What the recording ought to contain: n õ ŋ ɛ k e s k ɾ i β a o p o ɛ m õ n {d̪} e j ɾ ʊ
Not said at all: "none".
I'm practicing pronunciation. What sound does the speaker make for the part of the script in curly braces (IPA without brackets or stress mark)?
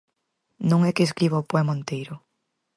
t̪